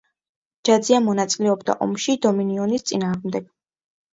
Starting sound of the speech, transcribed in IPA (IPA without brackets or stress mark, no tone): d͡ʒ